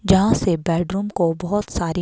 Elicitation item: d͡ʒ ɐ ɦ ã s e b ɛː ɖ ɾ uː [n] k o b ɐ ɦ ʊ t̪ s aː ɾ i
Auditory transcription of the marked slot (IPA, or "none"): m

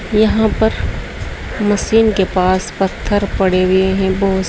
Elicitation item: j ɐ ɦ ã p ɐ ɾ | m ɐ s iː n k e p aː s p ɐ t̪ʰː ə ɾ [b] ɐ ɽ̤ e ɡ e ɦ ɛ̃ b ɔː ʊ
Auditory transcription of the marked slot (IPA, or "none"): p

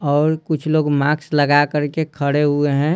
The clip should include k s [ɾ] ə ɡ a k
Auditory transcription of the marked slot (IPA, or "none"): l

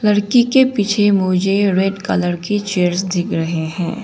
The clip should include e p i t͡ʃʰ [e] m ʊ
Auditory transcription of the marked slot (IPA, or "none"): e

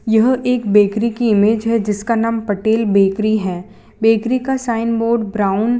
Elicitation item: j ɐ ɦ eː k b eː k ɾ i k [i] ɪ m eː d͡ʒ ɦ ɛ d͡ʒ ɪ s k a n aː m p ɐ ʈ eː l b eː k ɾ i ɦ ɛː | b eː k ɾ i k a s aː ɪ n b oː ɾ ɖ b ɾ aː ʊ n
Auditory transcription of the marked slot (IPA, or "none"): i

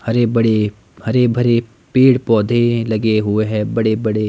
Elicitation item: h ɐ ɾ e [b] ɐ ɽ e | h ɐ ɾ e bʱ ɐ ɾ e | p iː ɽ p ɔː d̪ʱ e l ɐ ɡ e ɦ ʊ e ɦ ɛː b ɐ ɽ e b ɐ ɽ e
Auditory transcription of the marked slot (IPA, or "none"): b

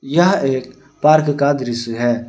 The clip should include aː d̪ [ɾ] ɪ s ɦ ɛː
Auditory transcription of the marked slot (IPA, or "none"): ɾ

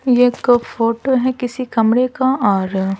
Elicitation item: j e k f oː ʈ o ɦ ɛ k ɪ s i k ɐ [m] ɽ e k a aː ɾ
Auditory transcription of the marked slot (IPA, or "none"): m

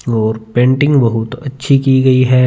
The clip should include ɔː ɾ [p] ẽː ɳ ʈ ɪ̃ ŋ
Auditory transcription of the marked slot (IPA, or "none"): p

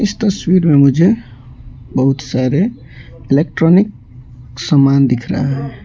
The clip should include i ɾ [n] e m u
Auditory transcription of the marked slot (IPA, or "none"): m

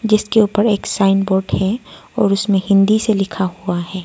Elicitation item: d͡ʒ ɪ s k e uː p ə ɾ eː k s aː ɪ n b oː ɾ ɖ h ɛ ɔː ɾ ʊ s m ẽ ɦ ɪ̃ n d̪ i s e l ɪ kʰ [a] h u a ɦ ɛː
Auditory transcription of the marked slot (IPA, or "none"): a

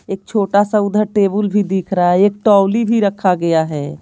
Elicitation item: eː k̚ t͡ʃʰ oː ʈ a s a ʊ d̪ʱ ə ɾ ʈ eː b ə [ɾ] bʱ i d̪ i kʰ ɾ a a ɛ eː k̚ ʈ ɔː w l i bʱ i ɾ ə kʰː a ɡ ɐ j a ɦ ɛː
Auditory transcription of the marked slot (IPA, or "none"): l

